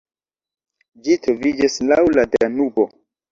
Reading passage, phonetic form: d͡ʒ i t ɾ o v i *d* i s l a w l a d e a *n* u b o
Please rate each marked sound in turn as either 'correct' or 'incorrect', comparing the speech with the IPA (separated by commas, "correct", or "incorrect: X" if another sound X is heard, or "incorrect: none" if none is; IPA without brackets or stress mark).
incorrect: d͡ʒ, correct